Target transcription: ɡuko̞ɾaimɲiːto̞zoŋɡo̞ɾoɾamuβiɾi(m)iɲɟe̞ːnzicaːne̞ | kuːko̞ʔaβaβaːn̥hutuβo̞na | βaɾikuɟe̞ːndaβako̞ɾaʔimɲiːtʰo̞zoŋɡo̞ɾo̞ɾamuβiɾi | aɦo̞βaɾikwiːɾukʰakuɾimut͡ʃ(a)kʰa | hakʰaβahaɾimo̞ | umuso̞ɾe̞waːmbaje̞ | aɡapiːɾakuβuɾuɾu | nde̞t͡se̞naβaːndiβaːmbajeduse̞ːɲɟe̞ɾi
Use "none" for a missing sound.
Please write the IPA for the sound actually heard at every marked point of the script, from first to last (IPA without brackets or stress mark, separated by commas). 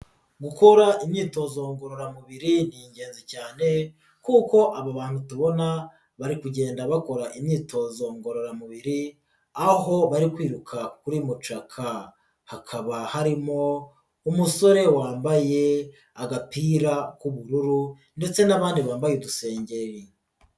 n, a